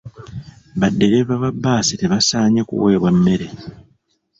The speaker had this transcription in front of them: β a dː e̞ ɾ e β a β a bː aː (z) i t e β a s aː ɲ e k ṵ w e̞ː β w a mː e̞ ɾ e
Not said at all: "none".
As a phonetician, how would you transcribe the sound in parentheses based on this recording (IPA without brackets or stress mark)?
s